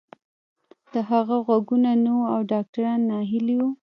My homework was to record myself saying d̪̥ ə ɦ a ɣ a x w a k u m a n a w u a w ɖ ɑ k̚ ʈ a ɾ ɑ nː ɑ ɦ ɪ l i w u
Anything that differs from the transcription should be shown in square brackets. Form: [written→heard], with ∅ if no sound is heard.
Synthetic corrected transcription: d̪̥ ə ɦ a ɣ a [x→ɣ] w a [k→ɡ] u [m→n] a n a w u a w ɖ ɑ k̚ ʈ a ɾ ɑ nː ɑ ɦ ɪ l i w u